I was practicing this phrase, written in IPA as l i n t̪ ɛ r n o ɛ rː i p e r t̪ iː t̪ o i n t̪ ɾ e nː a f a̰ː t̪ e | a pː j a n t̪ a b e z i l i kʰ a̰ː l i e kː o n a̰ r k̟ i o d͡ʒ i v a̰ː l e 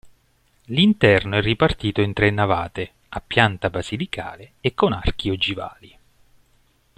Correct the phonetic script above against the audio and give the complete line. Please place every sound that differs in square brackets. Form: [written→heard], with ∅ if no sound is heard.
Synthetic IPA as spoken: l i n t̪ ɛ r n o ɛ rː i p [e→a] r t̪ iː t̪ o i n t̪ ɾ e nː a [f→v] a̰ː t̪ e | a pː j a n t̪ a b [e→a] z i l i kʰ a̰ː l [i→e] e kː o n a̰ r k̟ i o d͡ʒ i v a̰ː l [e→i]